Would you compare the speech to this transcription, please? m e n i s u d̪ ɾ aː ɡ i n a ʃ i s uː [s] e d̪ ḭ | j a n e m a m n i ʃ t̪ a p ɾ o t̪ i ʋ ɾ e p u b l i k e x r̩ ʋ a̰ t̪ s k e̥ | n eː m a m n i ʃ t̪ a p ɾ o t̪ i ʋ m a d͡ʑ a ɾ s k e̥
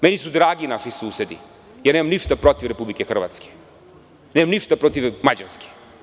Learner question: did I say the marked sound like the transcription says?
yes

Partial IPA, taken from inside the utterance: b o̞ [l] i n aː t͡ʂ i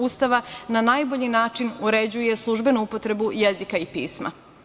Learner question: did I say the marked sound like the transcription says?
no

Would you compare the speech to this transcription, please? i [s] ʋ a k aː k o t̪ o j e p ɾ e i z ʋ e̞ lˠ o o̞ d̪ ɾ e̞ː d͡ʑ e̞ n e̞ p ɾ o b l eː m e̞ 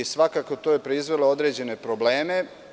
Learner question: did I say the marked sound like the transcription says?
yes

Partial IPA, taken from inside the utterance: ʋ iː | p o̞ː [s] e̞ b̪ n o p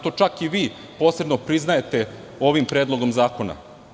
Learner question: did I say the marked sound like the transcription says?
yes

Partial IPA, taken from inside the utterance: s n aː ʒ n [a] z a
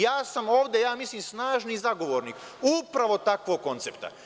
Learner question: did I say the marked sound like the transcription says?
no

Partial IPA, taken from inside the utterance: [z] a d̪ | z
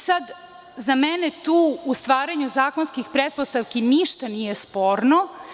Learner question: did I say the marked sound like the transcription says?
no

